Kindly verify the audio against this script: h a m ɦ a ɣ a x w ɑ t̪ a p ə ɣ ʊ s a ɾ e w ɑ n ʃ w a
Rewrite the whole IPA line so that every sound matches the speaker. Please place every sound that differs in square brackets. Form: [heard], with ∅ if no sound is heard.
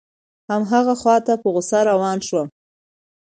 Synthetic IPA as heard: h a m ɦ a ɣ a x w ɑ t̪ a p ə ɣ ʊ s a ɾ [a] w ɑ n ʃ w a